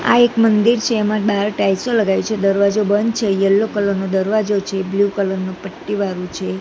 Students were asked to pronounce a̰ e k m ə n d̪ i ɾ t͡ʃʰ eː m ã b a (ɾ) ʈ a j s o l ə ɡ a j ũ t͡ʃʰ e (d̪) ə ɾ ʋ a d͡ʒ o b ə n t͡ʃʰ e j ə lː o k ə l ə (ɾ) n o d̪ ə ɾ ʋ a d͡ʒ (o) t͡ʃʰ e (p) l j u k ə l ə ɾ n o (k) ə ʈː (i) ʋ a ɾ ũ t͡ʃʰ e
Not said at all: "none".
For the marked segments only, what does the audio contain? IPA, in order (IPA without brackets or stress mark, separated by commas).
ɾ, d̪, ɾ, o, b, p, i